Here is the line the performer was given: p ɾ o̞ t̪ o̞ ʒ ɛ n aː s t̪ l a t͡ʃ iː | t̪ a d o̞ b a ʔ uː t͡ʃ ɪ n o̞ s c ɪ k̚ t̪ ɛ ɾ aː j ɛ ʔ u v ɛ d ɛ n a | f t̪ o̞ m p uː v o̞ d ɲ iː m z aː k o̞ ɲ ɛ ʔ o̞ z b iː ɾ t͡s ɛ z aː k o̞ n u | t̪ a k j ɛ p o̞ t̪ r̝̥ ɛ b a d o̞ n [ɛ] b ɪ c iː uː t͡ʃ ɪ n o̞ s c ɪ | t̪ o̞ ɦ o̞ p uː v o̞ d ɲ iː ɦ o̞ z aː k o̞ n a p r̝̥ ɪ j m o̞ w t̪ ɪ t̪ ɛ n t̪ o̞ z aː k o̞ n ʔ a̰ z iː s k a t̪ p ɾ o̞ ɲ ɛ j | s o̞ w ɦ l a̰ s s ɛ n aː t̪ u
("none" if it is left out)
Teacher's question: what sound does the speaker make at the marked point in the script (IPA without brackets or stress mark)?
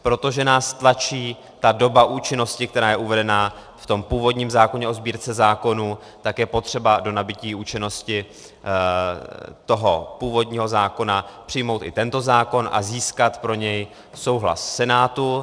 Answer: a